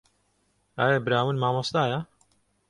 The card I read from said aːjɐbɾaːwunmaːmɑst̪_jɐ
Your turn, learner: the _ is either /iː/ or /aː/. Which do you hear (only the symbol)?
aː